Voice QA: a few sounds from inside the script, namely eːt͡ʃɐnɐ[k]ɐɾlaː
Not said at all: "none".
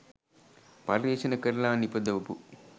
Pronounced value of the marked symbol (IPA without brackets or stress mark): k